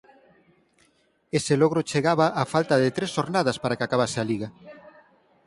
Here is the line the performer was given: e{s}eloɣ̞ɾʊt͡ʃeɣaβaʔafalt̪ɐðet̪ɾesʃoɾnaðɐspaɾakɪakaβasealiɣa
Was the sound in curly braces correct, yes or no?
yes